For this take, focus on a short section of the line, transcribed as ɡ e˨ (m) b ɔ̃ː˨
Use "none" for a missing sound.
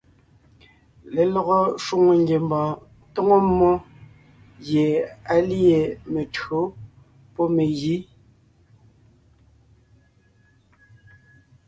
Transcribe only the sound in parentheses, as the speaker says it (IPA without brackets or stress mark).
m